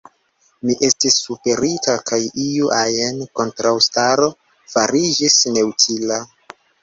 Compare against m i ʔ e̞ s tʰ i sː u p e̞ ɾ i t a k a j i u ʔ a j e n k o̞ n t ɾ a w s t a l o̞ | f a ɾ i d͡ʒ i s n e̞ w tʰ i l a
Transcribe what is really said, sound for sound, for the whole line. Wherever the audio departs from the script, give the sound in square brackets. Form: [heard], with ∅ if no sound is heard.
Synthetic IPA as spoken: m i ʔ e̞ s [t] i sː u p e̞ ɾ i t a k a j i u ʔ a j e n k o̞ n t ɾ a w s t a [ɾ] o̞ | f a ɾ i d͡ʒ i s n e̞ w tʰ i l a